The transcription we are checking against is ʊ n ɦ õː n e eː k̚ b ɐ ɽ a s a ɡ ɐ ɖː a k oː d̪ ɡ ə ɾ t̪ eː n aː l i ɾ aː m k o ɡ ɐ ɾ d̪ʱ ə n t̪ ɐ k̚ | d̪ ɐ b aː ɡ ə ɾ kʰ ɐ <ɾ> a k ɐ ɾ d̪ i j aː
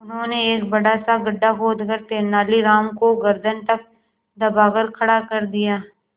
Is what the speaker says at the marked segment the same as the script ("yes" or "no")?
no